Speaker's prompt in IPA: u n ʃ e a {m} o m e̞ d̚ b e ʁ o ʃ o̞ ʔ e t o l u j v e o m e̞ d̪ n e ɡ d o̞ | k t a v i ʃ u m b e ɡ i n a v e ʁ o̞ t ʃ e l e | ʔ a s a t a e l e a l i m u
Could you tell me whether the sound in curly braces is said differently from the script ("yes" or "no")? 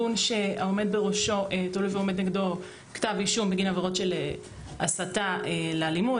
yes